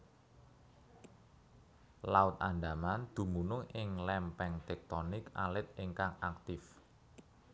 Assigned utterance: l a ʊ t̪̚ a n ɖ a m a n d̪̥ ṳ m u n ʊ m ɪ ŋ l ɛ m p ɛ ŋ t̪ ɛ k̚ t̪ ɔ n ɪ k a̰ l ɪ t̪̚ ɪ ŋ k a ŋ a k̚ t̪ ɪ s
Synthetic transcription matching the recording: l a ʊ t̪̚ a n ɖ a m a n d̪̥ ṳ m u n ʊ ŋ ɪ ŋ l ɛ m p ɛ ŋ t̪ ɛ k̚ t̪ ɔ n ɪ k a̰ l ɪ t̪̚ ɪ ŋ k a ŋ a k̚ t̪ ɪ f